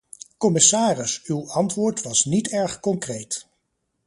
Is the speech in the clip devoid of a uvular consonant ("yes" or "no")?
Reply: no